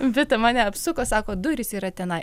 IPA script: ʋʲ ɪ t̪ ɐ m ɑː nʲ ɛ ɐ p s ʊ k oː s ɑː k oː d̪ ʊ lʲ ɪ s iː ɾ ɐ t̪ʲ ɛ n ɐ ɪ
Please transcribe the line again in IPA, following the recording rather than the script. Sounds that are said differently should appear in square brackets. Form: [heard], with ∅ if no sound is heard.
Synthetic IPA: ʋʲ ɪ t̪ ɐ m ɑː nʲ ɛ ɐ p s ʊ k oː s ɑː k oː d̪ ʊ [ɾʲ] ɪ s iː ɾ ɐ t̪ʲ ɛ n ɐ ɪ